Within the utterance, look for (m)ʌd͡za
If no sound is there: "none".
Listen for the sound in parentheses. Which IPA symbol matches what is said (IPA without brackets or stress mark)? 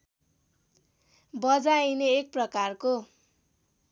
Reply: b